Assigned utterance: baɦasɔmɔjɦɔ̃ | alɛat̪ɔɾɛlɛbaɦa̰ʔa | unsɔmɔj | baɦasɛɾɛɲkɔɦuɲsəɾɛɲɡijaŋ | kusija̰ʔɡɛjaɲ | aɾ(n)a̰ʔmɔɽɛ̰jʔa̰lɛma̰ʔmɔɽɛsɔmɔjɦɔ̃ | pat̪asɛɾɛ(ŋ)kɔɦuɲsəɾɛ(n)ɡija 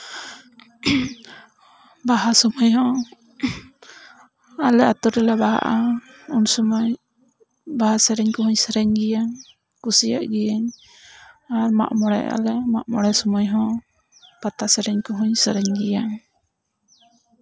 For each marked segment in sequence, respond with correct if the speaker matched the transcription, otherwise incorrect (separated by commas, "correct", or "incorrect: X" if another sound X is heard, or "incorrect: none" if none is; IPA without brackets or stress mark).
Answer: incorrect: m, incorrect: ɲ, incorrect: ɲ